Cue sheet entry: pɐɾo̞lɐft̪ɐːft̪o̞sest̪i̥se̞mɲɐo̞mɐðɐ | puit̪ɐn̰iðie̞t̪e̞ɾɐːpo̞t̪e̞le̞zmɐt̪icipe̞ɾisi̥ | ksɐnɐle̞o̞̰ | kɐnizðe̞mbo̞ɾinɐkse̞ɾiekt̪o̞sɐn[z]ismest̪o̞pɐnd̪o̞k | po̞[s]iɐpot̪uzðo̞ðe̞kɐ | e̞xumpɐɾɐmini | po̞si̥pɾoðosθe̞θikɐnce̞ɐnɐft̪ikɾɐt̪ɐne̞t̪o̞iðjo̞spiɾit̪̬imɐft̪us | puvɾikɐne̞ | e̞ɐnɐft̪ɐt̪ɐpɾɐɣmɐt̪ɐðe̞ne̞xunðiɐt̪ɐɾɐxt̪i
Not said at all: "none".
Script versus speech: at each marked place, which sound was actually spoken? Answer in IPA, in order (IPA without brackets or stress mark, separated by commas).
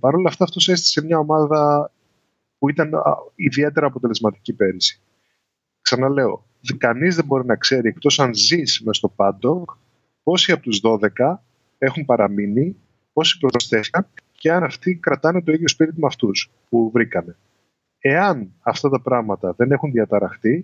z, s